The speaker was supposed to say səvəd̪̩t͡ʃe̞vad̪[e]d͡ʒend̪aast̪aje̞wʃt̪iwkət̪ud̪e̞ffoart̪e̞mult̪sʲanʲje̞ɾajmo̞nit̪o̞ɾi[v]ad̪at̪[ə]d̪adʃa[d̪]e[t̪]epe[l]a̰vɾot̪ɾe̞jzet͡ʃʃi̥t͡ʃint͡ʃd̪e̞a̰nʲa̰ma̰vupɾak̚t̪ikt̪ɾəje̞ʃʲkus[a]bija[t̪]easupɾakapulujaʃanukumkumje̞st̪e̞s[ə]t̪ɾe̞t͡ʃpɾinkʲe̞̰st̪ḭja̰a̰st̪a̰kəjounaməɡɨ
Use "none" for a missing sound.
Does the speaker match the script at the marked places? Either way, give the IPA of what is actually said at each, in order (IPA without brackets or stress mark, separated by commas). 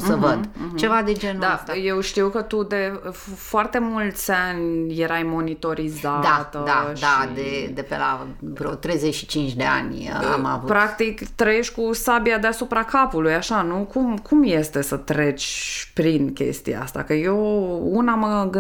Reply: e, z, ə, d̪, d̪, l, a, d̪, ə